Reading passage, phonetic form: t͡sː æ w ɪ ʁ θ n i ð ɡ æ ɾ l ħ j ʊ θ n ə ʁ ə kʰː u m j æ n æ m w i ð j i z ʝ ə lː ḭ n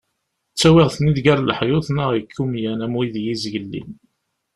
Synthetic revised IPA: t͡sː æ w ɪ ʁ θ n i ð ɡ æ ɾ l ħ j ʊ θ n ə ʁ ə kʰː u m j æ n æ m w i ð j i z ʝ ə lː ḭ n